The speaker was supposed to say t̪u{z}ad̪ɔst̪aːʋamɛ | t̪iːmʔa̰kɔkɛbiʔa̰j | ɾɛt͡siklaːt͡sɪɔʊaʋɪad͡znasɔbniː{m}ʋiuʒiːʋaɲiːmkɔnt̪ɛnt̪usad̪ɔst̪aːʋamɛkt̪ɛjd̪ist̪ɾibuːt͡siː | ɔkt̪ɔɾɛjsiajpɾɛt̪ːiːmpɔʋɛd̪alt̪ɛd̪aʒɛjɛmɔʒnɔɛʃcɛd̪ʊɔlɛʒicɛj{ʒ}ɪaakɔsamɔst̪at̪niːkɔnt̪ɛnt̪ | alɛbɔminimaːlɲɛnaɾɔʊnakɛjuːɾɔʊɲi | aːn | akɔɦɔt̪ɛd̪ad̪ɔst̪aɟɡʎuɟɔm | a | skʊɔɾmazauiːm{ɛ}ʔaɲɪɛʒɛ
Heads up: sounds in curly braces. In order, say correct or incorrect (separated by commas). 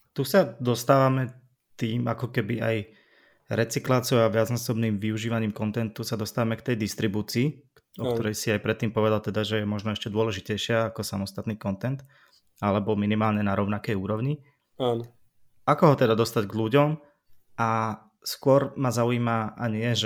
incorrect, correct, incorrect, incorrect